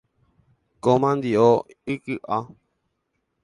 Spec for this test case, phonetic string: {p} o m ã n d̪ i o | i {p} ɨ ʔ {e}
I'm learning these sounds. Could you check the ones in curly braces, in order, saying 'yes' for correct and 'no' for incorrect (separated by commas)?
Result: no, no, no